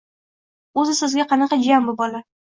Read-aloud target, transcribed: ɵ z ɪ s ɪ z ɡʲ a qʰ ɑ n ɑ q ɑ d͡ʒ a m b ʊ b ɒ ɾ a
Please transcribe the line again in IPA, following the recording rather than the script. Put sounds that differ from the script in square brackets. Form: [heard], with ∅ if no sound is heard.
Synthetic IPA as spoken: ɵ z ɪ s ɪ z ɡʲ a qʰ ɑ n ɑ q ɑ d͡ʒ a m b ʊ b ɒ [l] a